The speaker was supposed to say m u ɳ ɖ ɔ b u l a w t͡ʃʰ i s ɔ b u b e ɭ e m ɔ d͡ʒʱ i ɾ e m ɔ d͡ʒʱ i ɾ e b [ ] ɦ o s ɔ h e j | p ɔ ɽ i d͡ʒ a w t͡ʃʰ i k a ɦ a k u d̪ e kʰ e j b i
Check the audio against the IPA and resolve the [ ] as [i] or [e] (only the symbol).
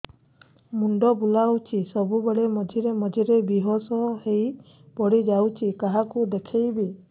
i